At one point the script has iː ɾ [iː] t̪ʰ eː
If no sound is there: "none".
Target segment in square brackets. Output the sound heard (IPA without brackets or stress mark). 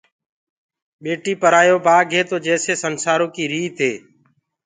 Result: iː